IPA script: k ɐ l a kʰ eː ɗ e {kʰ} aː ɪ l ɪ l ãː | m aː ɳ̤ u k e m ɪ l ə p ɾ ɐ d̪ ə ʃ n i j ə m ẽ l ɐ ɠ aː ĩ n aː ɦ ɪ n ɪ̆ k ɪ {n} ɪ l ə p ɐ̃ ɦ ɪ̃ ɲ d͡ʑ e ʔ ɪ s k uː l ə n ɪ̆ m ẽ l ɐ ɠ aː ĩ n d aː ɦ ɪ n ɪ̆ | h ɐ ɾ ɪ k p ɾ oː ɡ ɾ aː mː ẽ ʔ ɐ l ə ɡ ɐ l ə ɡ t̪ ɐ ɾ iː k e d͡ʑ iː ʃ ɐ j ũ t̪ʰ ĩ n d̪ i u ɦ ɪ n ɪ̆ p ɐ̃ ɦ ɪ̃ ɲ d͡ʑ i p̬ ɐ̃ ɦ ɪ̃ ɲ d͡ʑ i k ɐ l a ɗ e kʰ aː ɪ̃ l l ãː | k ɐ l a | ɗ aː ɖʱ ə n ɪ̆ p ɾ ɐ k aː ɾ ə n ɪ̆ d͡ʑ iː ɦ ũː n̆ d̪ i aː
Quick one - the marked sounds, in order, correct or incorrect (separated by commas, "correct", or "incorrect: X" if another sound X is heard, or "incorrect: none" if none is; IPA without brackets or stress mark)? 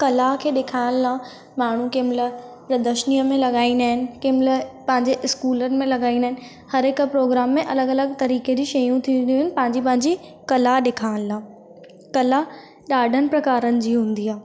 correct, incorrect: m